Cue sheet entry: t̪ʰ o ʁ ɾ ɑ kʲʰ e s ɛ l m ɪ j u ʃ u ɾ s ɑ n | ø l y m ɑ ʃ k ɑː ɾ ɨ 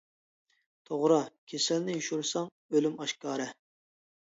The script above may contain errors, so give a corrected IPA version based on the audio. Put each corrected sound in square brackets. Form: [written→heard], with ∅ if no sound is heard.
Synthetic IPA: t̪ʰ o ʁ ɾ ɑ kʲʰ e s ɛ l [m→n] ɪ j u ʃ u ɾ s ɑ [n→ŋ] | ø l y m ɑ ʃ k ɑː ɾ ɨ